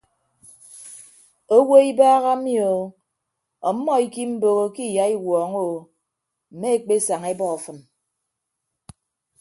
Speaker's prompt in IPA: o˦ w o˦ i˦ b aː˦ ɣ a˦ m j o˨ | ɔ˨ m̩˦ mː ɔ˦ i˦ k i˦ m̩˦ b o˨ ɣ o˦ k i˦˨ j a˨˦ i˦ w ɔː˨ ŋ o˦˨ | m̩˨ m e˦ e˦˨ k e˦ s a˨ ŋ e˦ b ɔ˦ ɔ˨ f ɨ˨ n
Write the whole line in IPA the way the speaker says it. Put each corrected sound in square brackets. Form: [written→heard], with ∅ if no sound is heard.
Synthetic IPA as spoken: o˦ w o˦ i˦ b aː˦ ɣ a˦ m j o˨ | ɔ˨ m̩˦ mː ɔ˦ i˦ k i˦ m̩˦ b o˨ ɣ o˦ k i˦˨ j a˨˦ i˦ w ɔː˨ ŋ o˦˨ | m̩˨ m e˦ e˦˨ [k→k͡p] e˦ s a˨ ŋ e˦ b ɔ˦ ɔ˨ f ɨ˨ n